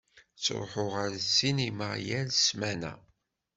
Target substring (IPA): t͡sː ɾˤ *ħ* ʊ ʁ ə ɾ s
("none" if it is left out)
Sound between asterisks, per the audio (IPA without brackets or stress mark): ħ